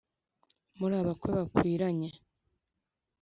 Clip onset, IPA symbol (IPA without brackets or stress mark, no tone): m